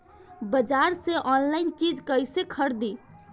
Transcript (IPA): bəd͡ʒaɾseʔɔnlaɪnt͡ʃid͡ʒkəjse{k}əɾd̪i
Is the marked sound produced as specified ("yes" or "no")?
no